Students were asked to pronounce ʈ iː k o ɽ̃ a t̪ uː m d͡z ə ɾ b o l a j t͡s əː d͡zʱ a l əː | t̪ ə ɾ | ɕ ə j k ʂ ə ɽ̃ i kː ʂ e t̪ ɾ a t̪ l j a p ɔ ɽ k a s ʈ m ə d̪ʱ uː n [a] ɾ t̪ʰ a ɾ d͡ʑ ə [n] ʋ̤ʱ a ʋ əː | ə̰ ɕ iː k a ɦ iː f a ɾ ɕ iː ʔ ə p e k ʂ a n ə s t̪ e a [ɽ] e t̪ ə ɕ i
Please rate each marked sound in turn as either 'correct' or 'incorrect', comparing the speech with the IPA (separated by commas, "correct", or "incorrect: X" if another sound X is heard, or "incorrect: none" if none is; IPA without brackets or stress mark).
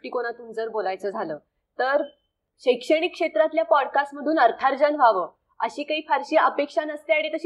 incorrect: ə, correct, correct